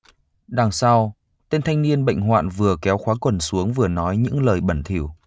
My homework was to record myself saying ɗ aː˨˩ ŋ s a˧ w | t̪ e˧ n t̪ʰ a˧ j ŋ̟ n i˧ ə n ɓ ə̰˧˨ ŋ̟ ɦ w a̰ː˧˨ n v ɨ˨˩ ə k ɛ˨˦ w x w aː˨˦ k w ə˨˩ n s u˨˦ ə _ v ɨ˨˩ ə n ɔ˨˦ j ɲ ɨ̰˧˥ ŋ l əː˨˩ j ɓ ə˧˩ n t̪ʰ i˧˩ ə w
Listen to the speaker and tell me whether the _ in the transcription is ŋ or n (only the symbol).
ŋ